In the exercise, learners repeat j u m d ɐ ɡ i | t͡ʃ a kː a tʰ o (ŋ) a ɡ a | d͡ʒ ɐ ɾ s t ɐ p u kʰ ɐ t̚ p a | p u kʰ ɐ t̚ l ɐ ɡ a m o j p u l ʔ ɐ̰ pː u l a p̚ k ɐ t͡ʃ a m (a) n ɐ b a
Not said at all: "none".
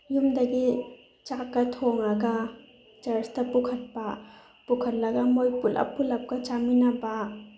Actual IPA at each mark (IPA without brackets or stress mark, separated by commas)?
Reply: ŋ, i